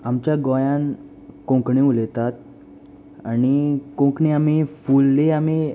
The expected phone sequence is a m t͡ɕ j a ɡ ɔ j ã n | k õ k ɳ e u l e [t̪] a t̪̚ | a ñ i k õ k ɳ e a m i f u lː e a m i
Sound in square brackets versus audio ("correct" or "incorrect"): correct